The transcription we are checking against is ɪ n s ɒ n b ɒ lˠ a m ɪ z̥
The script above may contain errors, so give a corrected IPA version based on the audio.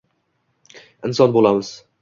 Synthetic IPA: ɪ n s ɒ n b o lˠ a m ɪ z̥